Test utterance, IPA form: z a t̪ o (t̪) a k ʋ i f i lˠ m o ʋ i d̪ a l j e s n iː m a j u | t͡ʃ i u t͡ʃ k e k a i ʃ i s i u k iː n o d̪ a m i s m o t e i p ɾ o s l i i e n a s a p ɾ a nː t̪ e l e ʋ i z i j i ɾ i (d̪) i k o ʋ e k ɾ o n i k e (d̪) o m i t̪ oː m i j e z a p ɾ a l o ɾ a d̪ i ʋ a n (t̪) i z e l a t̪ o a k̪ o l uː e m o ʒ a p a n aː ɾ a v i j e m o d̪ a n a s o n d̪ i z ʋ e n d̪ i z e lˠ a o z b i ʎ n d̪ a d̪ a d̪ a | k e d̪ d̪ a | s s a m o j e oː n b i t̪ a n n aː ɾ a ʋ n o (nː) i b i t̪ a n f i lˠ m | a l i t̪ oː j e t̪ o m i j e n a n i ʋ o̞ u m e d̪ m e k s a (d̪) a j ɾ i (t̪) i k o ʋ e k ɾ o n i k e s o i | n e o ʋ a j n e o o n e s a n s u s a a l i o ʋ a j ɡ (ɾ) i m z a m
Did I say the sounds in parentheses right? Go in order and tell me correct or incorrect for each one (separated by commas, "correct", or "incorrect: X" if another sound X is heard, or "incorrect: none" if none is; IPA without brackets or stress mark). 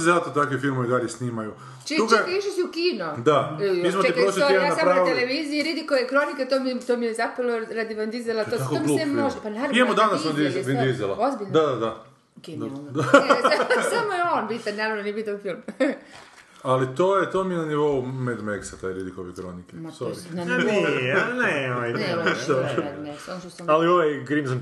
correct, correct, incorrect: t̪, incorrect: d̪, incorrect: n, incorrect: t̪, incorrect: d̪, correct